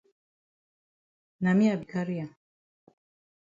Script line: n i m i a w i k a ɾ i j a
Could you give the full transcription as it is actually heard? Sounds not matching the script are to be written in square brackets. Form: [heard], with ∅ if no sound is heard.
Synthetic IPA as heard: n [a] m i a [b] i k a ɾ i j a